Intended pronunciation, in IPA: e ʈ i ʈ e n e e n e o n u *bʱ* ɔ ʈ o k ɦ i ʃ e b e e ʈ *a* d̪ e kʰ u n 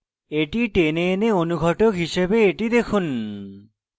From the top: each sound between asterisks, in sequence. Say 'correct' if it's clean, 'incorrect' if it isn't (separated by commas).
incorrect, incorrect